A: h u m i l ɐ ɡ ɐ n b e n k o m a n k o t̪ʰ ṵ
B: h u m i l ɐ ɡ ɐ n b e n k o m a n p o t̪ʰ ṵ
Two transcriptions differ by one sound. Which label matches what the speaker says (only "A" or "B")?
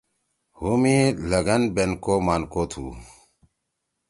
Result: A